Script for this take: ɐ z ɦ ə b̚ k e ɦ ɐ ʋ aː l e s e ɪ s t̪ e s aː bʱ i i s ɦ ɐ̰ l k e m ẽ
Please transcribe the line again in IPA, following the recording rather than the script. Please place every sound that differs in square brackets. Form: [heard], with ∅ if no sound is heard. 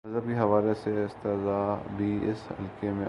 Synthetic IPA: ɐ z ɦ ə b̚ k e ɦ ɐ ʋ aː l e s e ɪ s t̪ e [z] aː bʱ i [ɪ] s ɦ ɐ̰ l k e m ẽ